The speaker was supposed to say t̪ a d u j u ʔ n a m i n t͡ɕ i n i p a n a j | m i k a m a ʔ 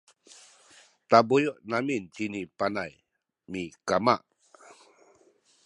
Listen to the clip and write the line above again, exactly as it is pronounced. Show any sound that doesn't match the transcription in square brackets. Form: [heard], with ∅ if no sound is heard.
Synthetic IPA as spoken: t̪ a [b] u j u ʔ n a m i n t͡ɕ i n i p a n a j | m i k a m a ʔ